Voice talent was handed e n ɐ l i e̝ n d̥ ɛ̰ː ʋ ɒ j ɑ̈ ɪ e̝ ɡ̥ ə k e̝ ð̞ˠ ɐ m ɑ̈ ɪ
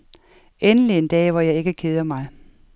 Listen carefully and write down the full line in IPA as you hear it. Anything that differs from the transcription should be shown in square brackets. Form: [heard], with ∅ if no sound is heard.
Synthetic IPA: e n [ə] l i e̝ n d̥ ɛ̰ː ʋ ɒ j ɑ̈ ɪ e̝ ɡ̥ ə [kʰ] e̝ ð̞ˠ ɐ m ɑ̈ ɪ